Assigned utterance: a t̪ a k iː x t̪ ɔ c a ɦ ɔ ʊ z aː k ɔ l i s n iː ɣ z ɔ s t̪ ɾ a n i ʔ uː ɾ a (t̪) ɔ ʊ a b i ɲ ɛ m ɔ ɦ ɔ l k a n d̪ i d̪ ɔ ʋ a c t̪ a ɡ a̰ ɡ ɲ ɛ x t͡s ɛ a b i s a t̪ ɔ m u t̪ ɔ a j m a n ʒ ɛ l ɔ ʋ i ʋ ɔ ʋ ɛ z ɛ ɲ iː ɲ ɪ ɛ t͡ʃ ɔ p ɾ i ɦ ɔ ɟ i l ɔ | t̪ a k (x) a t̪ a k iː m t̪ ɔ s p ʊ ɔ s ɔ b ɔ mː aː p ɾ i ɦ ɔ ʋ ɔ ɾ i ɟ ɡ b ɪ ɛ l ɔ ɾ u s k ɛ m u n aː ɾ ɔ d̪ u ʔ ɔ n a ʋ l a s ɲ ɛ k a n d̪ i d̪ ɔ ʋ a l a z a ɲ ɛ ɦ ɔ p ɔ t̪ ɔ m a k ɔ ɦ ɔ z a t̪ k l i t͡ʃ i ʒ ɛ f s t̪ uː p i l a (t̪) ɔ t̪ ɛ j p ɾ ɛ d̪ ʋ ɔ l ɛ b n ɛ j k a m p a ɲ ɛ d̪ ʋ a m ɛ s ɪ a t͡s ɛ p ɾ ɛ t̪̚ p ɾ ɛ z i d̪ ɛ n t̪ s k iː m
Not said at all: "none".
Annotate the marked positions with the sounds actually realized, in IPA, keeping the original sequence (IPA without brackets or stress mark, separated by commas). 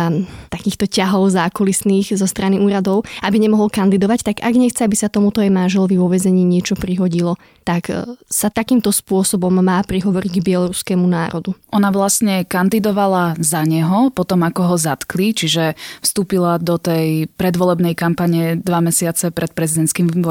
d̪, s, d̪